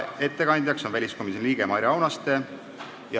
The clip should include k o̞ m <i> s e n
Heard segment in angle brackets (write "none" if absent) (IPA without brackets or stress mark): i